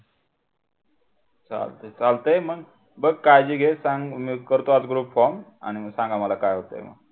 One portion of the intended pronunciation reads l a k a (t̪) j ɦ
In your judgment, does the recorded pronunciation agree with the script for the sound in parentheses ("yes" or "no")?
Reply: no